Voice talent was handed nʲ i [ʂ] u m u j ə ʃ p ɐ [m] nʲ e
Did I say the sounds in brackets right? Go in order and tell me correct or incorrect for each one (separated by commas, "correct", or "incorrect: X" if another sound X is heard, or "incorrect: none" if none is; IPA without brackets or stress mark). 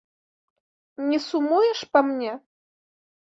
incorrect: s, correct